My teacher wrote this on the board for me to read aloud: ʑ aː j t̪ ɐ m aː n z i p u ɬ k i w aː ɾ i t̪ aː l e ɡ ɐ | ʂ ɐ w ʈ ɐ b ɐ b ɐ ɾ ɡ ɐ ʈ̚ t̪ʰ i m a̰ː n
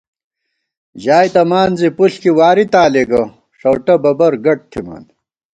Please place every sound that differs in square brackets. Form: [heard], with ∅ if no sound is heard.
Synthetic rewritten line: ʑ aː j t̪ ɐ m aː n z i p u ɬ k i w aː ɾ i t̪ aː l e ɡ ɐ | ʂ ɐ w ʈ ɐ b ɐ b ɐ ɾ ɡ ɐ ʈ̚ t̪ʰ i m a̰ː n